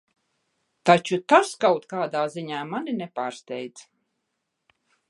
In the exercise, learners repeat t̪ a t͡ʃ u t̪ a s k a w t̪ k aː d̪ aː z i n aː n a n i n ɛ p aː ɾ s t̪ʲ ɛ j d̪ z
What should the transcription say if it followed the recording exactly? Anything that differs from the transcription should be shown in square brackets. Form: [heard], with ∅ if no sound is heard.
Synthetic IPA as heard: t̪ a t͡ʃ u t̪ a s k a w t̪ k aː d̪ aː z i [ɲ] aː [m] a n i n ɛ p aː ɾ s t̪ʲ ɛ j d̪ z